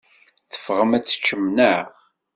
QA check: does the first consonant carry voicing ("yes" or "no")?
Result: no